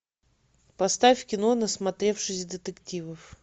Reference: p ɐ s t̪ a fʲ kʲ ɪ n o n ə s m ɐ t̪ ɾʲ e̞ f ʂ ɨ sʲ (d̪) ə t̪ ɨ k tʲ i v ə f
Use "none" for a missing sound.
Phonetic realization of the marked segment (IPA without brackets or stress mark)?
d̪